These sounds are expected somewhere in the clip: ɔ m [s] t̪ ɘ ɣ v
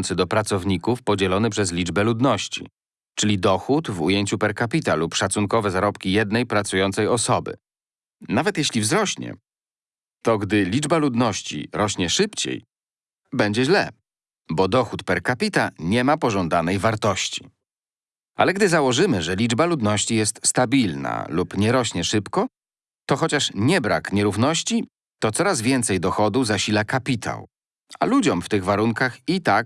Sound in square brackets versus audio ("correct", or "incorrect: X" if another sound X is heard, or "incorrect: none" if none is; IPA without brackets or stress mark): incorrect: f